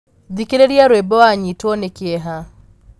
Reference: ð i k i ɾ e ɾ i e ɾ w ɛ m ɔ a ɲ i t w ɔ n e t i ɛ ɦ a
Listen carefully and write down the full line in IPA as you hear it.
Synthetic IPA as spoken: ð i k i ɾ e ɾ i a ɾ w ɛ b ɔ a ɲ i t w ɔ n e k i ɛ ɦ a